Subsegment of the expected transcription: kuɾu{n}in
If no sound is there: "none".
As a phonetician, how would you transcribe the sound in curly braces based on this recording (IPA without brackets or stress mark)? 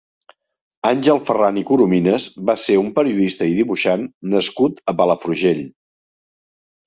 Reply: m